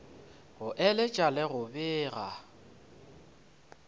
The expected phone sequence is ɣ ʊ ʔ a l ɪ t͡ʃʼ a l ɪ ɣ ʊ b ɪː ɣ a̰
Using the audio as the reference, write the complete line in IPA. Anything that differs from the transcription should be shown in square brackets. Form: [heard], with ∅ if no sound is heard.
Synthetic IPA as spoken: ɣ ʊ ʔ [ɛ] l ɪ t͡ʃʼ a l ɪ ɣ ʊ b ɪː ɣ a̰